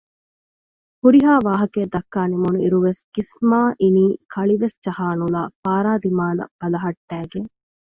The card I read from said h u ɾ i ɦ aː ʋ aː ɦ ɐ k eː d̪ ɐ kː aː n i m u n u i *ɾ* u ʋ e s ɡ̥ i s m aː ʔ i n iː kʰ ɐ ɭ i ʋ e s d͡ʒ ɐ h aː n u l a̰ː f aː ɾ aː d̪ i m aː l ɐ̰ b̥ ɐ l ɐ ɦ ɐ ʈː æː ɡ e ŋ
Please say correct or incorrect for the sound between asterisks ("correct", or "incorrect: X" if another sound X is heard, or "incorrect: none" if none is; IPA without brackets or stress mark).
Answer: correct